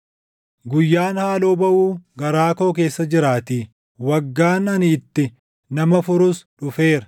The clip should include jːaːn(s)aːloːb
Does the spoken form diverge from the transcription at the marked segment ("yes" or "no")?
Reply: yes